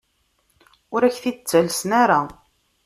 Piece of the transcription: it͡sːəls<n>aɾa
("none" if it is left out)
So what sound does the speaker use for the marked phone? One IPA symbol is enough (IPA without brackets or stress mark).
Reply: n